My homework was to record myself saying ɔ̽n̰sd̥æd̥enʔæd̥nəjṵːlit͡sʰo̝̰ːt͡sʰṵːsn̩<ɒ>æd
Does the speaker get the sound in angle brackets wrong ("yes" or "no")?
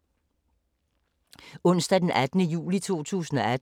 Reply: no